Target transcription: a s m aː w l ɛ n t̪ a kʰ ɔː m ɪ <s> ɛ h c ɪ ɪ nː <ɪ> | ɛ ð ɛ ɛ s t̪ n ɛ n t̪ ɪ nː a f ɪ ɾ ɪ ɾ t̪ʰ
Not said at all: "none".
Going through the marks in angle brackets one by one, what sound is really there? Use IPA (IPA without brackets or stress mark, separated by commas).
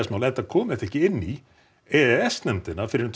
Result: θ, i